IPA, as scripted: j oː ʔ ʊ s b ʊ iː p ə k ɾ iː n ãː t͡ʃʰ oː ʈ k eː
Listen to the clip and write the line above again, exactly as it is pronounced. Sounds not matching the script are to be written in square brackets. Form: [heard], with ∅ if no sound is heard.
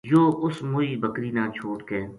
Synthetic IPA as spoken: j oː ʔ ʊ s [m] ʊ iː [b] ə k ɾ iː n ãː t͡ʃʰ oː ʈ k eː